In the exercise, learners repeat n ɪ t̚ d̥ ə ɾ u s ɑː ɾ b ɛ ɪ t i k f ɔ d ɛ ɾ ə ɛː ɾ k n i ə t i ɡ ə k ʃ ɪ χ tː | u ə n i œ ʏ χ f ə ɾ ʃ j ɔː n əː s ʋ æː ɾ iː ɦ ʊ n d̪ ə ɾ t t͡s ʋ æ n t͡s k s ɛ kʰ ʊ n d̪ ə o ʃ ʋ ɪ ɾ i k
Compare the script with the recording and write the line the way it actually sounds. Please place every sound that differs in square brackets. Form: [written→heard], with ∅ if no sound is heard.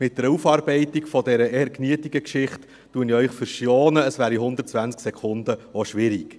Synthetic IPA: [n→m] ɪ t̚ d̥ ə ɾ u [s→f] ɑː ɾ b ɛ ɪ t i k f ɔ d ɛ ɾ ə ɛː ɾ k n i ə t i ɡ ə k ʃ ɪ χ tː | u ə n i œ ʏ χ f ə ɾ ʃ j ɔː n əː s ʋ æː ɾ [iː→i] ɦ ʊ n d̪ ə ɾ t t͡s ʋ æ n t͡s k s ɛ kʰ ʊ n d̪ ə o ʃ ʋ ɪ ɾ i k